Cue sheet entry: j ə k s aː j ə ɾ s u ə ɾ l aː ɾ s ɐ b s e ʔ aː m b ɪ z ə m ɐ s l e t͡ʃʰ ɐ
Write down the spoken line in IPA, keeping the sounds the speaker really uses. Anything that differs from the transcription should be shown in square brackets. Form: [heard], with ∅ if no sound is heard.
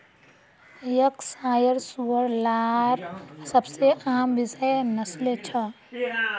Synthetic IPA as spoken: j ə k s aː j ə ɾ s u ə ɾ l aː ɾ s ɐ b s e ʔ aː m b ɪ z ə [n] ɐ s l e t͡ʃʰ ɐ